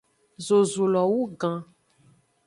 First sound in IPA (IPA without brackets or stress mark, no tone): z